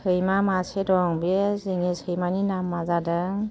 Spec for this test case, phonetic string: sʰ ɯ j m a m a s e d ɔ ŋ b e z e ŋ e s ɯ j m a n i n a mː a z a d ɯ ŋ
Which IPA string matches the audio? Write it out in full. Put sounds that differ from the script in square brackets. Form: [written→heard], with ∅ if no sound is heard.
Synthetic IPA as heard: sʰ ɯ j m a m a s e d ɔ ŋ b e z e ŋ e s ɯ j m a n i n a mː a z a d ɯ ŋ

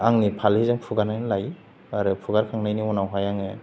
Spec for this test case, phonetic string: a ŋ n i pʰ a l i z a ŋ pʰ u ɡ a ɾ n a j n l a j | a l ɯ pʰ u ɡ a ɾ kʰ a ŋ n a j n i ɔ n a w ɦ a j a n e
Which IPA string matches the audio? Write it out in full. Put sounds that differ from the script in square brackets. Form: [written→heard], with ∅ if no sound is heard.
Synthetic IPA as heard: a ŋ n i pʰ a l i z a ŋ pʰ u ɡ a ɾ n a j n l a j | a [l→ɾ] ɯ pʰ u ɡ a ɾ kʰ a ŋ n a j n i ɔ n a w ɦ a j a [n→ŋ] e

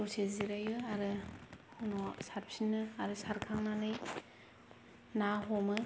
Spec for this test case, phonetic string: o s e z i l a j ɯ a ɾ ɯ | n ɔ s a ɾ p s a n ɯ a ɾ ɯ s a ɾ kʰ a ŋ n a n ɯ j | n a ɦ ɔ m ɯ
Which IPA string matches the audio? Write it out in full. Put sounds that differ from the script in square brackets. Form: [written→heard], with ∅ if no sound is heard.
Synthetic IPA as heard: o s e z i [l→ɾ] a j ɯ a ɾ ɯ | n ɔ s a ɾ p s [a→i] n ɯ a ɾ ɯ s a ɾ kʰ a ŋ n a n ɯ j | n a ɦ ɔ m ɯ

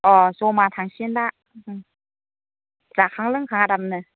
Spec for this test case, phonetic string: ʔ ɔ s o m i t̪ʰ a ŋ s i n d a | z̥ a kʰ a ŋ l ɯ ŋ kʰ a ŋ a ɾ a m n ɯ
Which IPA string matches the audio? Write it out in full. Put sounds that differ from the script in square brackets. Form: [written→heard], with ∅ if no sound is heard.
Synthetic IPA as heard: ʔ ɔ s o m [i→a] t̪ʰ a ŋ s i n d a | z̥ a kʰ a ŋ l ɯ ŋ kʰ a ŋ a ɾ a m n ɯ

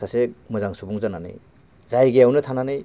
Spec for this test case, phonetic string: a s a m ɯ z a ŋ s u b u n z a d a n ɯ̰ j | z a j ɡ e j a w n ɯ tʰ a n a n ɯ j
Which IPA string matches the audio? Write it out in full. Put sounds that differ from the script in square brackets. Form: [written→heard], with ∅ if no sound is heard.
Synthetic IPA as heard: a s [a→e] m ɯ z a ŋ s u b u [n→ŋ] z a [d→n] a n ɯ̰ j | z a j ɡ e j a w n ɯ tʰ a n a n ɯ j

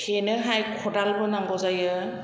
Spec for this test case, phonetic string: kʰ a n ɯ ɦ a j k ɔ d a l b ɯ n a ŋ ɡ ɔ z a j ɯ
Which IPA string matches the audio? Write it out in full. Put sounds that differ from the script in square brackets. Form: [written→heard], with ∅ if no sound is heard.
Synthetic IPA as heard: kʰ [a→e] n ɯ ɦ a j [k→kʰ] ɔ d a l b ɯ n a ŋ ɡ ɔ z a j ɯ

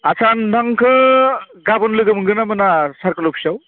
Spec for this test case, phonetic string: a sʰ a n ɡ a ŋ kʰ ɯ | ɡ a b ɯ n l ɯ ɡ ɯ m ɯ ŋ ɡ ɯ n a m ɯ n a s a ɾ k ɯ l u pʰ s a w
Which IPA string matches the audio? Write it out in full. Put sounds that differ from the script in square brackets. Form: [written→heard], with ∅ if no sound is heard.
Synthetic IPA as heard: a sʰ a n [ɡ→d] a ŋ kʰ ɯ | ɡ a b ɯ n l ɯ ɡ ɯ m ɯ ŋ ɡ ɯ n a m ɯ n a s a ɾ k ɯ l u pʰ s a w

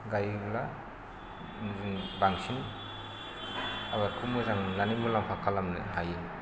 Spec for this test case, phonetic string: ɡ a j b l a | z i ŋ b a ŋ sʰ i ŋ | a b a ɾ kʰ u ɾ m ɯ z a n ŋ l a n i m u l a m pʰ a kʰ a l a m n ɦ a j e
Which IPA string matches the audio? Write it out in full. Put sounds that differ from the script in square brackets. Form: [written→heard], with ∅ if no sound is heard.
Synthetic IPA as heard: ɡ a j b l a | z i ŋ b a ŋ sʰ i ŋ | a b a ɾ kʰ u [ɾ→∅] m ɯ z a [n→∅] ŋ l a n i m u l a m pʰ a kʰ a l a m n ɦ a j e

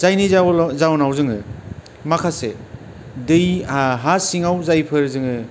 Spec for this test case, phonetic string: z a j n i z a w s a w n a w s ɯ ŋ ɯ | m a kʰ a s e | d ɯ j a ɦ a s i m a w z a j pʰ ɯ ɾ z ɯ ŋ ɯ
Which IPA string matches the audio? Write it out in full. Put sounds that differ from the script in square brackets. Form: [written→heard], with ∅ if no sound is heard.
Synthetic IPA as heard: z a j n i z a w [s→z] a w n a w [s→z] ɯ ŋ ɯ | m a kʰ a s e | d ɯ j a ɦ a s i [m→ŋ] a w z a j pʰ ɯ ɾ z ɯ ŋ ɯ

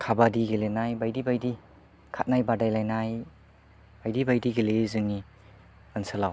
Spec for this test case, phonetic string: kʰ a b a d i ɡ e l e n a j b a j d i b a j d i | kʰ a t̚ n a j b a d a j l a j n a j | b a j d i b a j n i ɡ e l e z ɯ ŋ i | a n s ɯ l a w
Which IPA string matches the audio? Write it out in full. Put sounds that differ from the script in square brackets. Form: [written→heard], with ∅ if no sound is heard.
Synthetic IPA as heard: kʰ a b a d i ɡ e l e n a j b a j d i b a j d i | kʰ a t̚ n a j b a d a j l a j n a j | b a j d i b a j [n→d] i ɡ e l e z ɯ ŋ i | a n s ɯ l a w

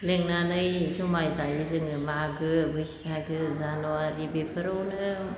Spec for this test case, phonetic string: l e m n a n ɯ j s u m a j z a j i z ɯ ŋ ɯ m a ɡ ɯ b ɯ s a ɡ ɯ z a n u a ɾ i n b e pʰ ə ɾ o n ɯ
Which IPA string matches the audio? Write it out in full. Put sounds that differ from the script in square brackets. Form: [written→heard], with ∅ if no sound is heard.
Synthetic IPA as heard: l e [m→ŋ] n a n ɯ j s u m a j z a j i z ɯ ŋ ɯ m a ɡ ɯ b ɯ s a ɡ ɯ z a n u a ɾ i [n→∅] b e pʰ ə ɾ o n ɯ

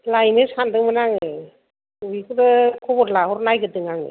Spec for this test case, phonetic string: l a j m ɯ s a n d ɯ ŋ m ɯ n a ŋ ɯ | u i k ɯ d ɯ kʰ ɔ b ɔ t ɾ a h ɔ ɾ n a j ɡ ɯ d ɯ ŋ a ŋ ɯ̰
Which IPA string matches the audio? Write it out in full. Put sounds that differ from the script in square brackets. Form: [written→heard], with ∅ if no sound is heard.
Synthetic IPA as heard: l a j [m→n] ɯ s a n d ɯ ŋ m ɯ n a ŋ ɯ | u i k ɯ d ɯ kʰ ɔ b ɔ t [ɾ→l] a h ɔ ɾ n a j ɡ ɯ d ɯ ŋ a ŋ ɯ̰

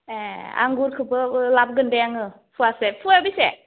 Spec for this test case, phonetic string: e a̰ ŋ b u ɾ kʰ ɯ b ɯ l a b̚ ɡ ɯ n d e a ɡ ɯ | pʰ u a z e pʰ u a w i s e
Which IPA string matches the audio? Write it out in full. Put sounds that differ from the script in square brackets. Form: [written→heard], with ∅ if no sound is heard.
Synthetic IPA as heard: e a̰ ŋ [b→ɡ] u ɾ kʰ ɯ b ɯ l a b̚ ɡ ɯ n d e a [ɡ→ŋ] ɯ | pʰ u a [z→s] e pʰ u a [w→b] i s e

